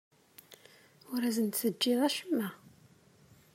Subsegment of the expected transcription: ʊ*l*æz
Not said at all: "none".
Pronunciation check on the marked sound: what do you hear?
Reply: ɾ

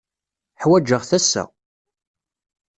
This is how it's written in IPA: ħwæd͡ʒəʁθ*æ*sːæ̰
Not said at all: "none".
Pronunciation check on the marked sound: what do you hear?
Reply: æ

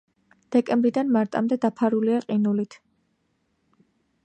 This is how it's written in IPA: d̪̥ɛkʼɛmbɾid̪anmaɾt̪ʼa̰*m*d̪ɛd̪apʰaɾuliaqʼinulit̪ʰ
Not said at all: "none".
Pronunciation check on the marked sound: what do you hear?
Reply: m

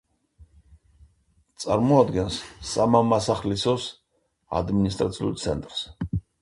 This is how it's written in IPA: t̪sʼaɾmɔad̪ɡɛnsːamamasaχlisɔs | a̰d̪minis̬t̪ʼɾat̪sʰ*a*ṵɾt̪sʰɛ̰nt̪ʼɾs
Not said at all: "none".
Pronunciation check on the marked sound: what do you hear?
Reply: i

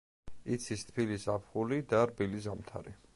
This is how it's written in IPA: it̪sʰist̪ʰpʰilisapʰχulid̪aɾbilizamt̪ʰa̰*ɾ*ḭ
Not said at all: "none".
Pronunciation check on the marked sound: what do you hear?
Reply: ɾ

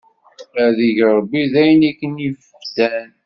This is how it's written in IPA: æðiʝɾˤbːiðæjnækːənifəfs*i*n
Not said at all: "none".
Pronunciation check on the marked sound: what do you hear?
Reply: æ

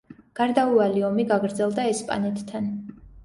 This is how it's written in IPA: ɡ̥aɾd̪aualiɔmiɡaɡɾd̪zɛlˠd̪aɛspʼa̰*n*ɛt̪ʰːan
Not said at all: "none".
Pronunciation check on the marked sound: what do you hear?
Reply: n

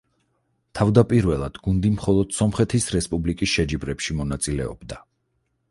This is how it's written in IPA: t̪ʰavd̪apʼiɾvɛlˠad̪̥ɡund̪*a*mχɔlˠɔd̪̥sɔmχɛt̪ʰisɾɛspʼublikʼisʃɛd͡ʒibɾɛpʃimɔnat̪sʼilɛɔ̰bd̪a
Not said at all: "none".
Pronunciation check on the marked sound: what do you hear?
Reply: i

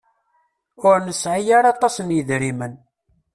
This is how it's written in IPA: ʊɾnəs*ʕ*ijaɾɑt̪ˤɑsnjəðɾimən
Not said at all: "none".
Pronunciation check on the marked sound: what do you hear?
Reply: ʕ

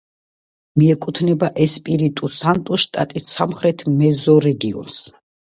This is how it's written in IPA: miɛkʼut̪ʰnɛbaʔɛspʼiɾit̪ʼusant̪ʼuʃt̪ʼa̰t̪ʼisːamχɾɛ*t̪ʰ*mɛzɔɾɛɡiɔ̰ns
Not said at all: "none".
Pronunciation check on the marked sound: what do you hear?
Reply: t̪ʰ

